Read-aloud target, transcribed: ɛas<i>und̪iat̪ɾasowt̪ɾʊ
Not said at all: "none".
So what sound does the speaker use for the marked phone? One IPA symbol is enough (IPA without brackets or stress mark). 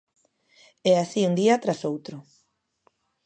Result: i